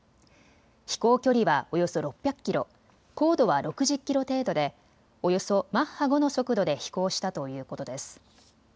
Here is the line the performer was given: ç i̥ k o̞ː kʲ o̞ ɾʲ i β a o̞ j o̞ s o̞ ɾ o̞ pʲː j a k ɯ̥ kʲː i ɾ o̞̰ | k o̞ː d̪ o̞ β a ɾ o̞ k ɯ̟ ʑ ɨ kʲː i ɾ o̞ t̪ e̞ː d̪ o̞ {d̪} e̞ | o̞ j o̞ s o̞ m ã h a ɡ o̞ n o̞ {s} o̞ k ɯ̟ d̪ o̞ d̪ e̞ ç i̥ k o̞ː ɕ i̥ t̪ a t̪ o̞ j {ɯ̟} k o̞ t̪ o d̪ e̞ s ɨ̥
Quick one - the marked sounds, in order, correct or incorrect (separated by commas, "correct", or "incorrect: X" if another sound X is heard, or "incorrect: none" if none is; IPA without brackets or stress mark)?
correct, correct, incorrect: ɯ̟ː